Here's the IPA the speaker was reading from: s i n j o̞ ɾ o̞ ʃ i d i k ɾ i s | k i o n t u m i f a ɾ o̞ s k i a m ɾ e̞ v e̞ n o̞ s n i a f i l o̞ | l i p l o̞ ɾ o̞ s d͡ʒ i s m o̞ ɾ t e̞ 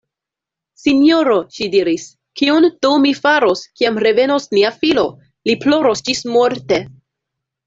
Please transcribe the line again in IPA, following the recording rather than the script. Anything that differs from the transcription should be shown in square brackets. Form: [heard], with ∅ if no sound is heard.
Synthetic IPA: s i n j o̞ ɾ o̞ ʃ i d i [∅] ɾ i s | k i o n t u m i f a ɾ o̞ s k i a m ɾ e̞ v e̞ n o̞ s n i a f i l o̞ | l i p l o̞ ɾ o̞ s d͡ʒ i s m o̞ ɾ t e̞